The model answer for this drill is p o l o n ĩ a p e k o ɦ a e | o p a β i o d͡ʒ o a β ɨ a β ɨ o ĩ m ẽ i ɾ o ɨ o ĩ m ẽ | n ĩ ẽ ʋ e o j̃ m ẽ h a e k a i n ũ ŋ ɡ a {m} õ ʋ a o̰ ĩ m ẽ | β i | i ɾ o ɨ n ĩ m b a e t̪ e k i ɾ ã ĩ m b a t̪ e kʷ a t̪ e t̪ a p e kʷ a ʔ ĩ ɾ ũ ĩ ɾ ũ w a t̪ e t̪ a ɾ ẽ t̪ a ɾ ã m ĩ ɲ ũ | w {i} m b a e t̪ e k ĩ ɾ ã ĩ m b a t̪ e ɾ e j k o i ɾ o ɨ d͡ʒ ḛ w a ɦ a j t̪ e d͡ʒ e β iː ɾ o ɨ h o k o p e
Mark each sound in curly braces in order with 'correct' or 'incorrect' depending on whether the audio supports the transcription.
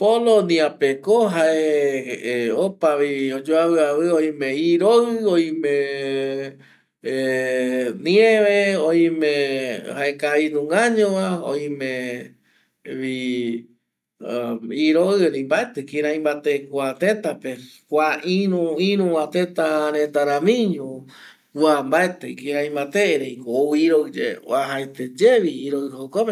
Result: incorrect, incorrect

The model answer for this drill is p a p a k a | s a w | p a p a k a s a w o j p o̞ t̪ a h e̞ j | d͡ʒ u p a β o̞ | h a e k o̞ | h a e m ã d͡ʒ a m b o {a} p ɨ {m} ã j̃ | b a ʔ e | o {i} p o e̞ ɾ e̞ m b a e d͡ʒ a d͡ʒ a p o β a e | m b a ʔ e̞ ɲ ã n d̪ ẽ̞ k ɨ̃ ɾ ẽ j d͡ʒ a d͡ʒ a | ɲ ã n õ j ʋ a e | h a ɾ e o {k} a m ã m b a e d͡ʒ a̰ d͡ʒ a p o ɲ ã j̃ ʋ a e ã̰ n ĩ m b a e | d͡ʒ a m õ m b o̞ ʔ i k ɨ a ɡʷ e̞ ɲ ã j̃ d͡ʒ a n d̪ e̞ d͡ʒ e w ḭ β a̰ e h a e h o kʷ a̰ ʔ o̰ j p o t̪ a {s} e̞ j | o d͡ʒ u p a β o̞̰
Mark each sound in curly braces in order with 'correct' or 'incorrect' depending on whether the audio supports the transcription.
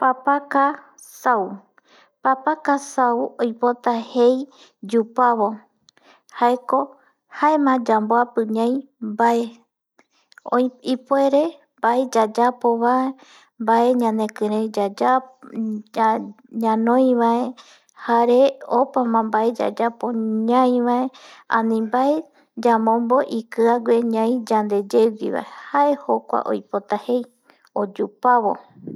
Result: correct, incorrect, correct, incorrect, incorrect

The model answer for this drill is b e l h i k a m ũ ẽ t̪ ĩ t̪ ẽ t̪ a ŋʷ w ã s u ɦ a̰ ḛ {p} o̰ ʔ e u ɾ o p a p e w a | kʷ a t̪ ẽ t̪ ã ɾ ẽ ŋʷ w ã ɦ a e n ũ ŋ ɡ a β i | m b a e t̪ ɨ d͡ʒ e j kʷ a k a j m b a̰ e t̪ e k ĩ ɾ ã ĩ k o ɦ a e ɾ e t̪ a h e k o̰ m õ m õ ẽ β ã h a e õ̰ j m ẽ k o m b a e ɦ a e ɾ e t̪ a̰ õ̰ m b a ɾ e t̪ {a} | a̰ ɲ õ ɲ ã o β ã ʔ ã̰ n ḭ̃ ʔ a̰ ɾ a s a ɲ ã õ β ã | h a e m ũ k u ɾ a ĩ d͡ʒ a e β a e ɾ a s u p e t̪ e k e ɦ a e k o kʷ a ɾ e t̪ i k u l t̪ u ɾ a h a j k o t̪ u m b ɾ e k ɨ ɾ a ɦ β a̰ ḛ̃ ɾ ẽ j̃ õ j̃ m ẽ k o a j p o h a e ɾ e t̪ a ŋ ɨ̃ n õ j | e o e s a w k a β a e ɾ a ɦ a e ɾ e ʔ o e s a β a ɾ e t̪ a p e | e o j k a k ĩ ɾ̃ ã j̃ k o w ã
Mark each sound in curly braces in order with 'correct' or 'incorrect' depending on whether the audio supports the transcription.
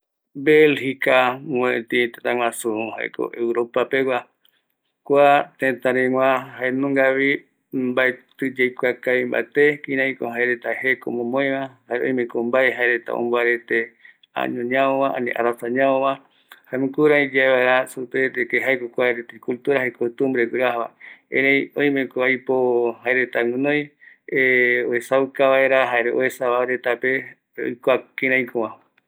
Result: incorrect, incorrect

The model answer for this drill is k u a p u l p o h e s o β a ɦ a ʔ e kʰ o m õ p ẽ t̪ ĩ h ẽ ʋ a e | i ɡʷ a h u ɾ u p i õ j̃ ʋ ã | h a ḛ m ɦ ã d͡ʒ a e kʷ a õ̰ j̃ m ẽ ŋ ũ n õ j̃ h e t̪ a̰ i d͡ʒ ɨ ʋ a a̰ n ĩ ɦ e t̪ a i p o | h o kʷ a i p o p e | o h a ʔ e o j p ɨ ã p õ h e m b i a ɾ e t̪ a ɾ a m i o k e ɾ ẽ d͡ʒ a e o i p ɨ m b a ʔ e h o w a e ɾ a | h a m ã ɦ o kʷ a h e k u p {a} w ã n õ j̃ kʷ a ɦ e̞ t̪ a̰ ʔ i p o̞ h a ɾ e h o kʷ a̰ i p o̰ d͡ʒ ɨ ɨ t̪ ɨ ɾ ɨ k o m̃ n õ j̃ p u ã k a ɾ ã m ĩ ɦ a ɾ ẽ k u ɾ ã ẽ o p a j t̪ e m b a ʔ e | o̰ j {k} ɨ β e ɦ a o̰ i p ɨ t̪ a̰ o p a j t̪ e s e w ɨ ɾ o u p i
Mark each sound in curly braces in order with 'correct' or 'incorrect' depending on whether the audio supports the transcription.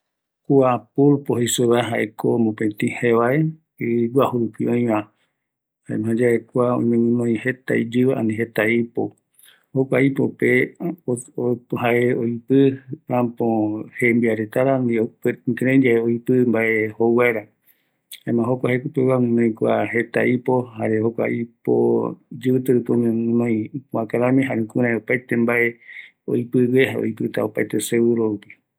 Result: incorrect, incorrect

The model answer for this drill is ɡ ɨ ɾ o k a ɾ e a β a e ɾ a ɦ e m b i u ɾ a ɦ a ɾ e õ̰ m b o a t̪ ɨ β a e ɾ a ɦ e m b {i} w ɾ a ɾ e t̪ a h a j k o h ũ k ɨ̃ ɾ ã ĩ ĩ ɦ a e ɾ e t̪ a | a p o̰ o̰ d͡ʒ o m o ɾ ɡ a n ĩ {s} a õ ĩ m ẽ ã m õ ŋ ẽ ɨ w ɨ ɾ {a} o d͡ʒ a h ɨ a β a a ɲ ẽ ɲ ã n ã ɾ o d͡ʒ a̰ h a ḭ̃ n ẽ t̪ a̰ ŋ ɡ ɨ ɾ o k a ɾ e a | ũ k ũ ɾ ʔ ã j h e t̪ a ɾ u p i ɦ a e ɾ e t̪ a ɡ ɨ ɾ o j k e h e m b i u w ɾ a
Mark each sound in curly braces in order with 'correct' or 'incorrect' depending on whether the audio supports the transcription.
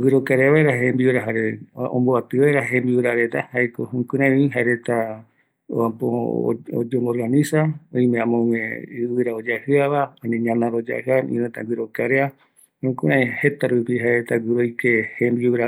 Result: correct, correct, correct

